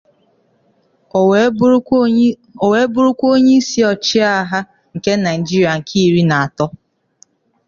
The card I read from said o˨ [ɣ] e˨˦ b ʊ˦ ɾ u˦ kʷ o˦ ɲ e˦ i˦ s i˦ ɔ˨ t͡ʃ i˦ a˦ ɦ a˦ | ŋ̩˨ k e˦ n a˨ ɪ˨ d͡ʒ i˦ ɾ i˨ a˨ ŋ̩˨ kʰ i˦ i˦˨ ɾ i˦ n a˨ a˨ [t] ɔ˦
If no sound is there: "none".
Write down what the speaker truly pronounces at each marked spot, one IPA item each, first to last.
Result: w, t

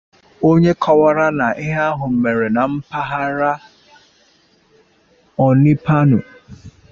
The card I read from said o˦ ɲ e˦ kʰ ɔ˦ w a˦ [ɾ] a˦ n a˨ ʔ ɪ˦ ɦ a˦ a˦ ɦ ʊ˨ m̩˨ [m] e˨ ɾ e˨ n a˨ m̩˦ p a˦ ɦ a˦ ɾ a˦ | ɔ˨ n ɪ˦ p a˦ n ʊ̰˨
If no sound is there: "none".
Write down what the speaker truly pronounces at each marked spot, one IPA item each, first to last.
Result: ɾ, m

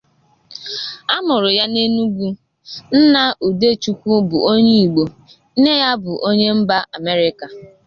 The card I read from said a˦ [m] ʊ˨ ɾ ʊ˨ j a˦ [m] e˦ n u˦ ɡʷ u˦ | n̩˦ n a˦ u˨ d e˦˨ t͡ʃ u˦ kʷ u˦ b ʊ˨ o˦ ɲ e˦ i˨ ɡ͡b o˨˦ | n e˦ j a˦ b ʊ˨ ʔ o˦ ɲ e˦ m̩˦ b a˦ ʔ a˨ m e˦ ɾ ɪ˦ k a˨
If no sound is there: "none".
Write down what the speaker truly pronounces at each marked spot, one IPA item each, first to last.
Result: m, n

